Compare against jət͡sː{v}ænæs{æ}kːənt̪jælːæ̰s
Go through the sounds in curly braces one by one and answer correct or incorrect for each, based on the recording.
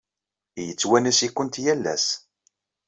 incorrect, incorrect

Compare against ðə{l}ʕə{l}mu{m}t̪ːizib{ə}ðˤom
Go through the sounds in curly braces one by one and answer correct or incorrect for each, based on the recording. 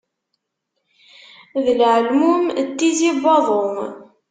correct, correct, correct, incorrect

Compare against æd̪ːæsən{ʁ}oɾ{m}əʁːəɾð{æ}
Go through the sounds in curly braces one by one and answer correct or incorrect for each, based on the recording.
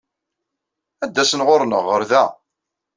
correct, incorrect, correct

